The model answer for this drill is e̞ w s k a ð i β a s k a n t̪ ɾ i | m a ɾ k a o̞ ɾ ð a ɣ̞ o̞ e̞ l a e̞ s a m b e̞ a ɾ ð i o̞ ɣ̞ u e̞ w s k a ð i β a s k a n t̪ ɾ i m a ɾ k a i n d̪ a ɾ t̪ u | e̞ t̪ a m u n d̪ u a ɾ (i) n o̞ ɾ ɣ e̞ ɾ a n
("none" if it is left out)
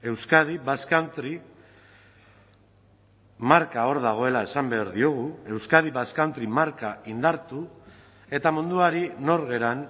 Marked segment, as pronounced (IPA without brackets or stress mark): i